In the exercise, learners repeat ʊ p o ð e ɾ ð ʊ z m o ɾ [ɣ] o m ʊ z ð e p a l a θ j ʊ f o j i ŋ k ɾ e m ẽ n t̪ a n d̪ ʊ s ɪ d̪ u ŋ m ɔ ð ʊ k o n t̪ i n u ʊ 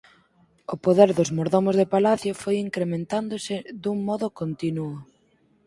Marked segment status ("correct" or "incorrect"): incorrect